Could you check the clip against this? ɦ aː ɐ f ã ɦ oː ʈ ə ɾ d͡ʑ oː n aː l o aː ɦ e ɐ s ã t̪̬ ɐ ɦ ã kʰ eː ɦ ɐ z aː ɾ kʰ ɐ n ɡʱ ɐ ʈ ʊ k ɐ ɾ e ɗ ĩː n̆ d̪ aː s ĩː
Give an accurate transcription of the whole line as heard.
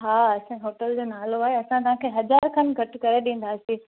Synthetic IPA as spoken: ɦ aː ɐ s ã ɦ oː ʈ ə l d͡ʑ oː n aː l o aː ɦ e ɐ s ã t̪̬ ɐ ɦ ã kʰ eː ɦ ɐ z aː ɾ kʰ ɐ n ɡʱ ɐ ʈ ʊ k ɐ ɾ e ɗ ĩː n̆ d̪ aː s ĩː